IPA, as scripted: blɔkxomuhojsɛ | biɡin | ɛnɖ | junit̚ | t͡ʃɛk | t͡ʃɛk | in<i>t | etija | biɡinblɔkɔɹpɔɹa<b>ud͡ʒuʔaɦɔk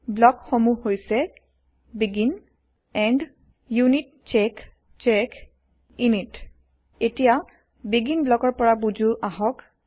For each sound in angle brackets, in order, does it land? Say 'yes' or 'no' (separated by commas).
yes, yes